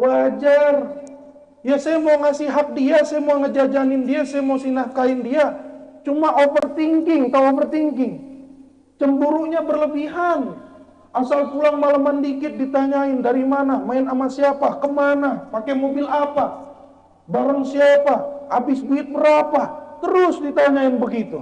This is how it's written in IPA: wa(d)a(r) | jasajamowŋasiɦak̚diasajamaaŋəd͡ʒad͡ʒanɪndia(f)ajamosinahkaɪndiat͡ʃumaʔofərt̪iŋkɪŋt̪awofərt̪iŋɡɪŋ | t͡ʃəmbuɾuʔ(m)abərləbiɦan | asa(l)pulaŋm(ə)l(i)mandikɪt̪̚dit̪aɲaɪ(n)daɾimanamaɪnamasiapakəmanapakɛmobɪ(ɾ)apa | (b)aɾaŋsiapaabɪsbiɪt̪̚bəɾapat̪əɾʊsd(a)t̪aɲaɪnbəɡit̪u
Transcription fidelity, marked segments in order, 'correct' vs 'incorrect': incorrect: d͡ʒ, correct, incorrect: s, incorrect: ɲ, correct, incorrect: a, incorrect: a, correct, incorrect: l, correct, incorrect: i

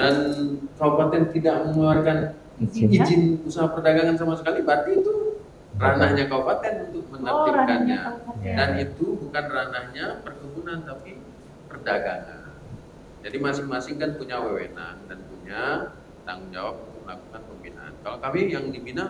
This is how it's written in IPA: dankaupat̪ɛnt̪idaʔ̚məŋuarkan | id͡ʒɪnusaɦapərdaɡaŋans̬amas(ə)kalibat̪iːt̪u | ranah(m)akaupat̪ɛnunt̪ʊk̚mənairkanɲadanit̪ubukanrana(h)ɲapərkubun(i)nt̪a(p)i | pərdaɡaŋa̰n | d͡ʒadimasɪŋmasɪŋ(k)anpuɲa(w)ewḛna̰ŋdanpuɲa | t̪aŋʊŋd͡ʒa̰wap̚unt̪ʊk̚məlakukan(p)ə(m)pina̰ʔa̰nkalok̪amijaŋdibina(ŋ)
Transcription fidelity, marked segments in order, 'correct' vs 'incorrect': correct, incorrect: ɲ, correct, incorrect: a, correct, correct, correct, correct, correct, correct

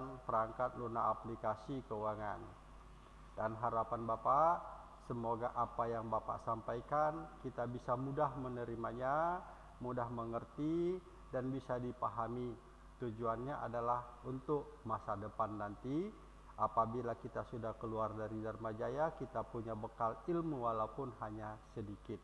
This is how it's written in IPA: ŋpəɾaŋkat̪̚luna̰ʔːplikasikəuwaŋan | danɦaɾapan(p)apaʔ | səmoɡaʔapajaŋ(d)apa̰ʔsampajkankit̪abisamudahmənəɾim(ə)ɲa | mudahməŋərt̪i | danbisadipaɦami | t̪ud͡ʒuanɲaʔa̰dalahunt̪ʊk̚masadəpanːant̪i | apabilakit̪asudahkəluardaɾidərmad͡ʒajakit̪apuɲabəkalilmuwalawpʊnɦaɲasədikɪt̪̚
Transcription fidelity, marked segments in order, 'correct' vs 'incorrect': incorrect: b, incorrect: b, incorrect: a

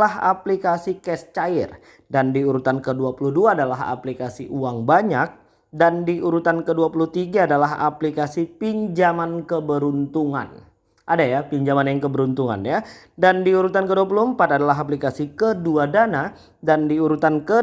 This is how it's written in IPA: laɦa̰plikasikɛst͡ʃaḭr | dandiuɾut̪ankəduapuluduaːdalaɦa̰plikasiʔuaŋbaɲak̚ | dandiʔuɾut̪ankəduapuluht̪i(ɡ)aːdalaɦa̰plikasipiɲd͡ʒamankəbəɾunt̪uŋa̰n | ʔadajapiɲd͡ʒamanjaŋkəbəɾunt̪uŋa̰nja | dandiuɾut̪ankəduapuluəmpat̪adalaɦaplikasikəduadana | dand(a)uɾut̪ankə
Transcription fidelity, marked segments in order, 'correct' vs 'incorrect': correct, incorrect: i

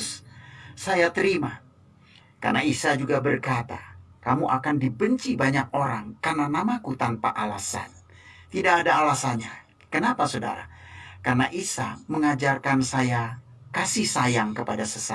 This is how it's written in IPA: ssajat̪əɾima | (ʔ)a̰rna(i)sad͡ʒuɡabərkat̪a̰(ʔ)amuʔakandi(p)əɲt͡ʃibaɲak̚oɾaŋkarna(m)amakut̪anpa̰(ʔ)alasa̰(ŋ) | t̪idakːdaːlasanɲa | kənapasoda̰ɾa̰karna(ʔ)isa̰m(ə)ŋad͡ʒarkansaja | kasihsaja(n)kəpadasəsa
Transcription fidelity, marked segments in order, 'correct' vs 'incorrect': incorrect: k, correct, incorrect: k, incorrect: b, incorrect: n, correct, incorrect: n, correct, correct, incorrect: ŋ

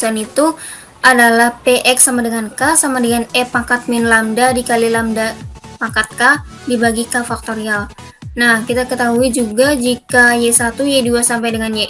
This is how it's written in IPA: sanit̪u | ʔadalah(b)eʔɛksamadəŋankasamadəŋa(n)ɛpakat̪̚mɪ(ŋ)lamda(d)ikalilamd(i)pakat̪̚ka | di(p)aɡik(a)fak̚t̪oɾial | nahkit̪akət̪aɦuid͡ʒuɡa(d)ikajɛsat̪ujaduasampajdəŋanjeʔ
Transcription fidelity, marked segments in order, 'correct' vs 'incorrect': incorrect: p, correct, incorrect: n, correct, incorrect: a, incorrect: b, correct, incorrect: d͡ʒ

